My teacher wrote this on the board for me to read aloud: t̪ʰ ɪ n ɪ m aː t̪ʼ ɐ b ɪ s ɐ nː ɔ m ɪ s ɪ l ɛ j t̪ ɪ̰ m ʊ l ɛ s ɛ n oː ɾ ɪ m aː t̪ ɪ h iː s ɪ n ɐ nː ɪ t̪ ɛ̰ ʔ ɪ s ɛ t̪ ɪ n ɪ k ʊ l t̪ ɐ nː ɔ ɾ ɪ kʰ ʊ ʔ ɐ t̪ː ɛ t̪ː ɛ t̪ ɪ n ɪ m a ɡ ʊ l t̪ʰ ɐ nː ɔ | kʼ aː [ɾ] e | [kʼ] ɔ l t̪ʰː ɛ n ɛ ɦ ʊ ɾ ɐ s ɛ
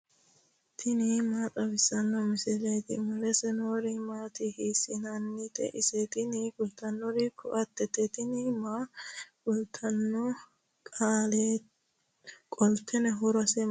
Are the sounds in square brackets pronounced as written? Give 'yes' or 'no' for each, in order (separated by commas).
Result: no, yes